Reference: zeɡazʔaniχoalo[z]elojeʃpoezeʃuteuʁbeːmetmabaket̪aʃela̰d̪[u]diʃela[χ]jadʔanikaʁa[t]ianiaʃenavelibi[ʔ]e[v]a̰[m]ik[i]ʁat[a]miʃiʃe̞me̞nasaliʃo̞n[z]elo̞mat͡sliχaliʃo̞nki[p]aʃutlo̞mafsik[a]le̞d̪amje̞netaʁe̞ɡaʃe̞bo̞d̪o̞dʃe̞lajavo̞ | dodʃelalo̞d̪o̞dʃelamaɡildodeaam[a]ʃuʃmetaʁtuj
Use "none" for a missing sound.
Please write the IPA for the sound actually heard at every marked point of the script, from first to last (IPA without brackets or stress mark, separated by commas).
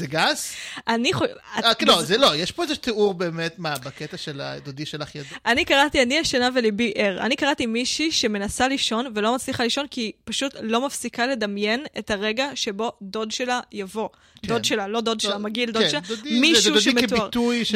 z, o, χ, t, ʔ, ʁ, n, a, i, v, p, a, i